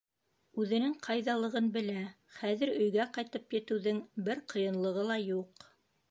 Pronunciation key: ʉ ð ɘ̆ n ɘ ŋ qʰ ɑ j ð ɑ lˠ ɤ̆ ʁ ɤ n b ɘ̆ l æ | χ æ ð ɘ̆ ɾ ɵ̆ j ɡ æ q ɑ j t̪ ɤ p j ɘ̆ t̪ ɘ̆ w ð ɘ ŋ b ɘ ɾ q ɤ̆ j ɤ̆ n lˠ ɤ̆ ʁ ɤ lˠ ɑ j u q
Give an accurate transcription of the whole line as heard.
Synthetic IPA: ʉ ð ɘ̆ n ɘ ŋ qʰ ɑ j ð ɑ lˠ ɤ̆ ʁ ɤ n b ɘ̆ l æ | χ æ ð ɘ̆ ɾ ɵ̆ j ɡ æ q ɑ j t̪ ɤ p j ɘ̆ t̪ ɘ̆ w ð ɘ ŋ b ɘ ɾ q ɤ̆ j ɤ̆ n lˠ ɤ̆ ʁ ɤ lˠ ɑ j u q